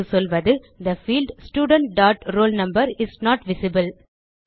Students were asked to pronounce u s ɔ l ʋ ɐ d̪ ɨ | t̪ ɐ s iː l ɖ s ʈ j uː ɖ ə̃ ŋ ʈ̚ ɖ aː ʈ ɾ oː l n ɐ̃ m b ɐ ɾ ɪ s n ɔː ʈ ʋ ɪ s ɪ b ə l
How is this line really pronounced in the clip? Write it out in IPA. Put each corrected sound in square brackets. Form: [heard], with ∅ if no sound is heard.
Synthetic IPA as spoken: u s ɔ l ʋ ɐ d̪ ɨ | [d̪] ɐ [f] iː l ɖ s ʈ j uː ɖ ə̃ [ɳ] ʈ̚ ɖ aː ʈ ɾ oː l n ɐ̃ m b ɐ ɾ ɪ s n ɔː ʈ ʋ ɪ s ɪ b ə l